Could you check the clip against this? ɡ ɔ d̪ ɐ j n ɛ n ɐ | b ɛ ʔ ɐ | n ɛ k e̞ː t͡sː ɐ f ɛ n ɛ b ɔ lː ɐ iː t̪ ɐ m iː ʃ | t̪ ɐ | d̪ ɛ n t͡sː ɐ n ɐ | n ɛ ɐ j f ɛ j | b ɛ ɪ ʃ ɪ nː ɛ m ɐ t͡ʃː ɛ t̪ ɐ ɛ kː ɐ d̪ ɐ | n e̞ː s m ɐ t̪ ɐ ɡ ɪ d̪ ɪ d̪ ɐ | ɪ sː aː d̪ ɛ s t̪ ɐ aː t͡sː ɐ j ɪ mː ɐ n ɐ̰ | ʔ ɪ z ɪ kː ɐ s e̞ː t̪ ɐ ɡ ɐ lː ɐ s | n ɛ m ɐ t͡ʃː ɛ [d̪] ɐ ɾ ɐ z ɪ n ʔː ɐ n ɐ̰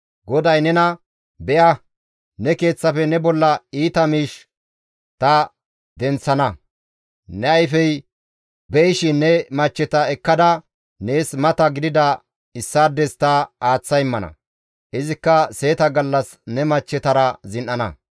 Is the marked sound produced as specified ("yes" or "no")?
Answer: no